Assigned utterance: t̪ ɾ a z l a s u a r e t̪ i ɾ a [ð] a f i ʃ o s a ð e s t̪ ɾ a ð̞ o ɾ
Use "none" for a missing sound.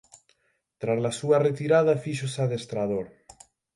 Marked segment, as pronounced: ð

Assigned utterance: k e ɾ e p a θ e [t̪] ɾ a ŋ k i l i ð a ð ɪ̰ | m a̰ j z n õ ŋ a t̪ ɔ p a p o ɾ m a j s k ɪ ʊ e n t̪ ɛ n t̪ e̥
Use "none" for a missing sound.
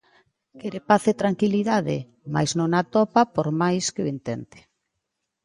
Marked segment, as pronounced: t̪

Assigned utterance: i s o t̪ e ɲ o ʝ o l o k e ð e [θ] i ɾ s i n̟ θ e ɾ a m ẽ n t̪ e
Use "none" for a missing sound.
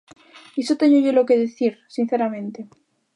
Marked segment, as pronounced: θ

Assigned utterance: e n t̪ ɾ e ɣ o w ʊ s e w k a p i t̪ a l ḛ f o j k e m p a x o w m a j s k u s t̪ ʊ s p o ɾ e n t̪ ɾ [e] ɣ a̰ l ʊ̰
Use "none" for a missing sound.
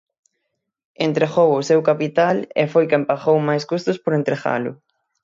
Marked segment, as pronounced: e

